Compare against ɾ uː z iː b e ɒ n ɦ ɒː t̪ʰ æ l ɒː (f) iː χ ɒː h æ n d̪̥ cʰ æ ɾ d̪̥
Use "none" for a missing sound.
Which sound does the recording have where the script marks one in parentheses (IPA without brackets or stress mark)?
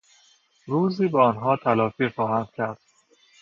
f